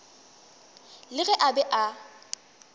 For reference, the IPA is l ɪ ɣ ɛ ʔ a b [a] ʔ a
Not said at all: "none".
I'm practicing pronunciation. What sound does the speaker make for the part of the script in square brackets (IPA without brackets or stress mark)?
ɛ